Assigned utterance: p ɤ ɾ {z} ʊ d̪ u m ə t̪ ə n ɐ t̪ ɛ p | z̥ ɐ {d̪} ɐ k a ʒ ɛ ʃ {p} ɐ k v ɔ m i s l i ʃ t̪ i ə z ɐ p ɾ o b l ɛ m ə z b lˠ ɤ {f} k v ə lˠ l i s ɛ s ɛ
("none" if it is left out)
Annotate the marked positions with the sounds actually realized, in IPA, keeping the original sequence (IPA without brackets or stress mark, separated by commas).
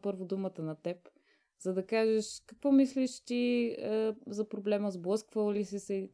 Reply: v, d̪, k, s